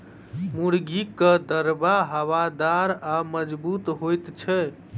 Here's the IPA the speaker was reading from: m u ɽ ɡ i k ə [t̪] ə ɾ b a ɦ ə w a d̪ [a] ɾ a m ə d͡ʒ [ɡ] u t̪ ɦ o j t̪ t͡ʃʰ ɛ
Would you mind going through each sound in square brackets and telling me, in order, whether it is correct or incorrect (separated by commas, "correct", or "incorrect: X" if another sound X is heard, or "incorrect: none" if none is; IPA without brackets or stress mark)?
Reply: incorrect: d̪, correct, incorrect: b